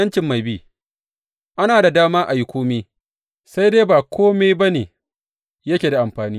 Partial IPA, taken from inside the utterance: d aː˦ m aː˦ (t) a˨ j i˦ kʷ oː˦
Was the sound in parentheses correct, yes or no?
no